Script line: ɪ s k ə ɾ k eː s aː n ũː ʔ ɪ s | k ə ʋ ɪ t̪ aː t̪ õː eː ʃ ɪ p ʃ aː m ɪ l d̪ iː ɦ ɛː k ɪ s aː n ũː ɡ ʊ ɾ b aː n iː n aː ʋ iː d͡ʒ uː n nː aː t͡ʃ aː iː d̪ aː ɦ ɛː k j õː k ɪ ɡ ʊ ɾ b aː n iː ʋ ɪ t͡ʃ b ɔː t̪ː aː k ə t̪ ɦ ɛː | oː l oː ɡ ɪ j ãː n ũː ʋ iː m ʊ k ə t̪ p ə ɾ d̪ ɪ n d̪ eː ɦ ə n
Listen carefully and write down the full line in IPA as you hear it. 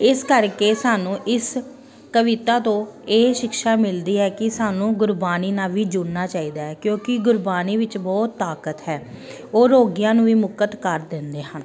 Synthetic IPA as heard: ɪ s k ə ɾ k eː s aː n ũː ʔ ɪ s | k ə ʋ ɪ t̪ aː t̪ õː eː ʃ ɪ k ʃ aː m ɪ l d̪ iː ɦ ɛː k ɪ s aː n ũː ɡ ʊ ɾ b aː n iː n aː ʋ iː d͡ʒ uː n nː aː t͡ʃ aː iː d̪ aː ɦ ɛː k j õː k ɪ ɡ ʊ ɾ b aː n iː ʋ ɪ t͡ʃ b ɔː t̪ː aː k ə t̪ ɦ ɛː | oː ɾ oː ɡ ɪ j ãː n ũː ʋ iː m ʊ k ə t̪ k ə ɾ d̪ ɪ n d̪ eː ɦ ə n

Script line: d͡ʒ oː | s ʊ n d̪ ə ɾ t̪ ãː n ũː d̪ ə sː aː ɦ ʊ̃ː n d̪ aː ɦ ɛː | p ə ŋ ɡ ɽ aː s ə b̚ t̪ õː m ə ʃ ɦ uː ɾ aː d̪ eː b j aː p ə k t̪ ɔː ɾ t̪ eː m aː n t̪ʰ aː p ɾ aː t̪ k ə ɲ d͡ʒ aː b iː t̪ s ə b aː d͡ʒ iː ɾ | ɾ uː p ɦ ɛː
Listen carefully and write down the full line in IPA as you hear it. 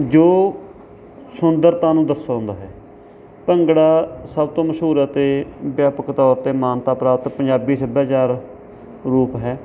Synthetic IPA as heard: d͡ʒ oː | s ʊ n d̪ ə ɾ t̪ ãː n ũː d̪ ə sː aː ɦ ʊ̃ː n d̪ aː ɦ ɛː | p ə ŋ ɡ ɽ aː s ə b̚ t̪ õː m ə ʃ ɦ uː ɾ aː t̪ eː b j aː p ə k t̪ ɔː ɾ t̪ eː m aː n t̪ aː p ɾ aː t̪ p ə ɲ d͡ʒ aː b iː s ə b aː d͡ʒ aː ɾ | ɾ uː p ɦ ɛː

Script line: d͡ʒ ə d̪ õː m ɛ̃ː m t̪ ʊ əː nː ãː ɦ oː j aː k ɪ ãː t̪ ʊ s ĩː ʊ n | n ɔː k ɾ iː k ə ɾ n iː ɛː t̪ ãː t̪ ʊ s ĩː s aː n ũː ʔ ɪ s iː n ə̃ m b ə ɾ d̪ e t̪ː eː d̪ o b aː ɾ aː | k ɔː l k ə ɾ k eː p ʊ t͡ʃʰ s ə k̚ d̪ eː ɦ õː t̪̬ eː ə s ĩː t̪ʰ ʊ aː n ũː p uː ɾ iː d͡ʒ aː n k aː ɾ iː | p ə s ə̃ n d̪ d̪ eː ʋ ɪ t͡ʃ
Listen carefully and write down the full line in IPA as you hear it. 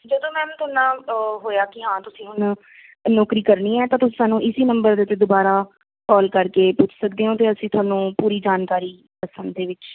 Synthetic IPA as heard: d͡ʒ ə d̪ õː m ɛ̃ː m t̪ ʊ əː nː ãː ɦ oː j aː k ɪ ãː t̪ ʊ s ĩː ʊ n | n ɔː k ɾ iː k ə ɾ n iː ɛː t̪ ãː t̪ ʊ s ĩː s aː n ũː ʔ ɪ s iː n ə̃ m b ə ɾ d̪ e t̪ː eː d̪ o b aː ɾ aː | k ɔː l k ə ɾ k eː p ʊ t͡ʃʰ s ə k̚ d̪ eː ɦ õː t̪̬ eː ə s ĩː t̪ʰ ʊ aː n ũː p uː ɾ iː d͡ʒ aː n k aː ɾ iː | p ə s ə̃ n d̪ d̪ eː ʋ ɪ t͡ʃ

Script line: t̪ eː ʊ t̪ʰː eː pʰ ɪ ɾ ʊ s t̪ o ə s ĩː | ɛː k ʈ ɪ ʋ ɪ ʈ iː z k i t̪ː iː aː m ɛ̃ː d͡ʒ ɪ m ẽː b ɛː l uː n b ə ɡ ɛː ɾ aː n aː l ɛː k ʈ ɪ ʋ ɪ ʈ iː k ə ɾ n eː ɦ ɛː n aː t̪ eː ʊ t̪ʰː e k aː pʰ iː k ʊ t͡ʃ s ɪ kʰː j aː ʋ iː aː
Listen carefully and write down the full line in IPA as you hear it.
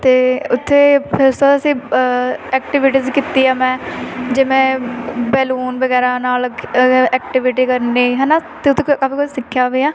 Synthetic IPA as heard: t̪ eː ʊ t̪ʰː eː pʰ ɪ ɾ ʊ s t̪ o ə s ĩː | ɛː k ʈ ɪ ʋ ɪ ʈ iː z k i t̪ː iː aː m ɛ̃ː d͡ʒ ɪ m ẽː b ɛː l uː n b ə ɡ ɛː ɾ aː n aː l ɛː k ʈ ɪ ʋ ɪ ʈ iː k ə ɾ n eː ɦ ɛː n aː t̪ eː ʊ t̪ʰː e k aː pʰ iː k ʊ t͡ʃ s ɪ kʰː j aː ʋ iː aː

